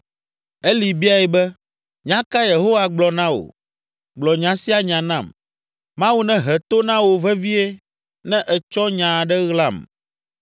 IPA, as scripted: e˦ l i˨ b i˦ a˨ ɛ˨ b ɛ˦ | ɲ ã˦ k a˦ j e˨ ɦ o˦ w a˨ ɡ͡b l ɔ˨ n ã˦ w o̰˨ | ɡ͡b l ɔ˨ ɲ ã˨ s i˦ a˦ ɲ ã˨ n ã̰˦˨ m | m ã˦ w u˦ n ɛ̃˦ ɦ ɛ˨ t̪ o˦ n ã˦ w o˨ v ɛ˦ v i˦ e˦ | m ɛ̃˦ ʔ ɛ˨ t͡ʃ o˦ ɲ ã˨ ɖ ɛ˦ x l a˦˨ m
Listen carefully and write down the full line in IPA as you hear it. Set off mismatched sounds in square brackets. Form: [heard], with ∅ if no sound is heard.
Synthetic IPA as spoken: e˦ l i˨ b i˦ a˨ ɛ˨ b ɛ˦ | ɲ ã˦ k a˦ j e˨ ɦ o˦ w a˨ ɡ͡b l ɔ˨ n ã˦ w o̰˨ | ɡ͡b l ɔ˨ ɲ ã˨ s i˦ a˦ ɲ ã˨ n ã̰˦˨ m | m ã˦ w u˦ n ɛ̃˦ ɦ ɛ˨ t̪ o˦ n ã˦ w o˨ v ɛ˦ v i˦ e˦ | [n] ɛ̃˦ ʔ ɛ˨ t͡ʃ [ɔ˦] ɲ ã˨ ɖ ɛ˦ [ɣ] l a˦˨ m